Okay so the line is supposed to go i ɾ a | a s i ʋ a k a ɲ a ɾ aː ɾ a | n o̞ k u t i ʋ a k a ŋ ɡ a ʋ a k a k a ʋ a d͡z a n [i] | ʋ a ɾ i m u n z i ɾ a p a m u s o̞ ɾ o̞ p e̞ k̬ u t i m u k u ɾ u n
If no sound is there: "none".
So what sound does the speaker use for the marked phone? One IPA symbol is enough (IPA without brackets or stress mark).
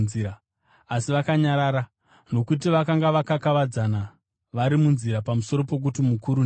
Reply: a